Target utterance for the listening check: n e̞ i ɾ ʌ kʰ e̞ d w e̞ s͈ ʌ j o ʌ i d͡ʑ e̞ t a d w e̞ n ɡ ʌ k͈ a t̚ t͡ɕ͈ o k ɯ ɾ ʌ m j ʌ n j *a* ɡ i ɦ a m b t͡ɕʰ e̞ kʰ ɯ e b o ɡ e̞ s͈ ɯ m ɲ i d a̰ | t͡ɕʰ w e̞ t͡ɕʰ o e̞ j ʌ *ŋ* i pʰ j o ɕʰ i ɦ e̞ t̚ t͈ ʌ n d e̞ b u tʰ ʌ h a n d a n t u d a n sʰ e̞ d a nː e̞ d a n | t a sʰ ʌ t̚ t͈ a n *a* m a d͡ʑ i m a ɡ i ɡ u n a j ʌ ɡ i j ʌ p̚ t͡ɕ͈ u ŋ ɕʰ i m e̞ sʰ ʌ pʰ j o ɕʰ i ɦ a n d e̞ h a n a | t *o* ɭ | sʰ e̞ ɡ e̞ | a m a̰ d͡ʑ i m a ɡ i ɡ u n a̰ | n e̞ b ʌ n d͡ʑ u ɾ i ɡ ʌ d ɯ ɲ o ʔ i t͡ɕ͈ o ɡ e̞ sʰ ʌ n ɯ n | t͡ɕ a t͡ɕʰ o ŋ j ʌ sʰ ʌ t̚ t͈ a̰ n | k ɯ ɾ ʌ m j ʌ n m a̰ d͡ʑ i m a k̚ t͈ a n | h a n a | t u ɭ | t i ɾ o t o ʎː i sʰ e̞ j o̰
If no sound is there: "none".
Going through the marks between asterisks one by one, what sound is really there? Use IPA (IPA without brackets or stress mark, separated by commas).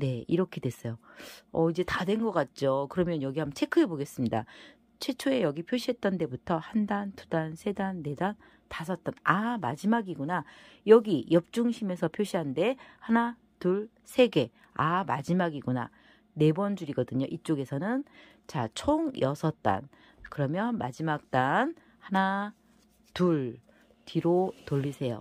ʌ, ɡ, a, u